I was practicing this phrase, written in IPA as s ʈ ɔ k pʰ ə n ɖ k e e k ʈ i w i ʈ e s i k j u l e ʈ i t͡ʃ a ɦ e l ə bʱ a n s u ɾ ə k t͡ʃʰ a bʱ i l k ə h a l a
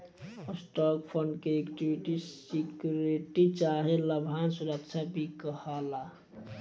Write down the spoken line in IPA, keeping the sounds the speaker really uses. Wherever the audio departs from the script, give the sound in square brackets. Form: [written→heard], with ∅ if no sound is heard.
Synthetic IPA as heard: s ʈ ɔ k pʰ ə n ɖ k e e k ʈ i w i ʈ [e→i] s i k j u [l→ɾ] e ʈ i t͡ʃ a ɦ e l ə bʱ a n s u ɾ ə k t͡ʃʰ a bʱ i [l→∅] k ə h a l a